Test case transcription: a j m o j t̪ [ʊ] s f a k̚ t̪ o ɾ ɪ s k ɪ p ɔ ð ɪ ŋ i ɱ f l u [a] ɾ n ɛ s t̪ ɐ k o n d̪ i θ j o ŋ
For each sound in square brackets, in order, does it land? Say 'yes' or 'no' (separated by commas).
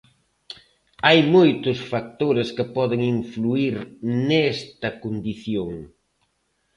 yes, no